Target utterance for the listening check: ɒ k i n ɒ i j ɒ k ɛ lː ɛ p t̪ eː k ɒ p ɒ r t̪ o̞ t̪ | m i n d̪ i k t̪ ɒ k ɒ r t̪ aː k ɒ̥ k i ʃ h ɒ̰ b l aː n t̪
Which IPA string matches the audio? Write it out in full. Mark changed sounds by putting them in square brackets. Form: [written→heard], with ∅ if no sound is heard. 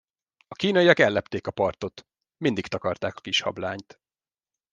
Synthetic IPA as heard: ɒ k [i→iː] n ɒ i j ɒ k ɛ lː ɛ p t̪ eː k ɒ p ɒ r t̪ o̞ t̪ | m i n d̪ i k t̪ ɒ k ɒ r t̪ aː k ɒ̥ k i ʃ h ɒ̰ b l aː [n→ɲ] t̪